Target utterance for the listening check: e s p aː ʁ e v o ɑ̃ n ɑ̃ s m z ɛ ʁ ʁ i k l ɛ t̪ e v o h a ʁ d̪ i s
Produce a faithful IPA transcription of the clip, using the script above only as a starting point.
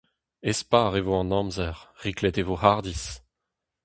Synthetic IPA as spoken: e s p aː ʁ e v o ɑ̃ n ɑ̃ m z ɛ ʁ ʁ i k l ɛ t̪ e v o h a ʁ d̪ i s

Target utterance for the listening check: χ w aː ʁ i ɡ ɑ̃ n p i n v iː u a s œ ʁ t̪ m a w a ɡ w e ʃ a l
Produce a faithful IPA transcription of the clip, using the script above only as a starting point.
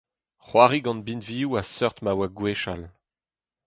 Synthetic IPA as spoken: χ w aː ʁ i ɡ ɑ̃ n b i n v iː u a s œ ʁ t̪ m a w a ɡ w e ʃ a l

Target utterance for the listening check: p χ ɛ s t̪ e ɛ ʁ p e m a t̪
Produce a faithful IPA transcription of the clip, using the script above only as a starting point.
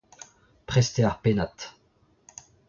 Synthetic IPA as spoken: p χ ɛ s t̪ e a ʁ p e n a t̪

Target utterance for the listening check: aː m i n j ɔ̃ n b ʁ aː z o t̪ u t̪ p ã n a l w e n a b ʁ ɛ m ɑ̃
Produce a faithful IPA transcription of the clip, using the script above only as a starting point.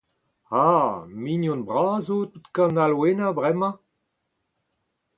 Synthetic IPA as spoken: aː m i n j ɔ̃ n b ʁ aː z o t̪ u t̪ k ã n a l w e n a b ʁ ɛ m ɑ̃

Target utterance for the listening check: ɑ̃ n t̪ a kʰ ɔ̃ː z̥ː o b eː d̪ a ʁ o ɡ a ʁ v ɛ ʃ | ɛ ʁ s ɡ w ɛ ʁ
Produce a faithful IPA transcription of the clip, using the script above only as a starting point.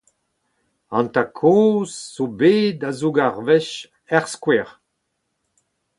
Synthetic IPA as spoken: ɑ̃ n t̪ a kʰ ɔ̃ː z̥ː o b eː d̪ a z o ɡ a ʁ v ɛ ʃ | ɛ ʁ s k w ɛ ʁ

